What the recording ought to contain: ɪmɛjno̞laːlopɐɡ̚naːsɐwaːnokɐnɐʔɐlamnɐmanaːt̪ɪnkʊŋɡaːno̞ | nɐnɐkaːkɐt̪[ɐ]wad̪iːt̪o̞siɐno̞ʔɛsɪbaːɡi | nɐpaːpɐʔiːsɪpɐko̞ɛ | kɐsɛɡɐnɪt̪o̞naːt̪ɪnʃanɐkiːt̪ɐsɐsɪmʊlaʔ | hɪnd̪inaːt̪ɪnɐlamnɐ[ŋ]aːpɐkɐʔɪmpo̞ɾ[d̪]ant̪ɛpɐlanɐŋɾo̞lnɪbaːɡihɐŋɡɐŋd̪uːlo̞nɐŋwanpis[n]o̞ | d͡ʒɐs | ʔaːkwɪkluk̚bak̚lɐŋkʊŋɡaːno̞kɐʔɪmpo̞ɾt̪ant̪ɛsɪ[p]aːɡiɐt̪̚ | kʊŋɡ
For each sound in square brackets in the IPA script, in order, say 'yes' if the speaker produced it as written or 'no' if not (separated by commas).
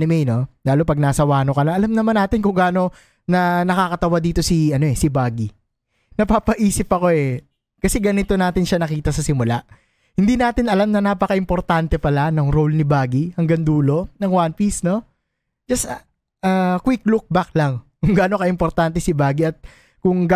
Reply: yes, no, no, yes, no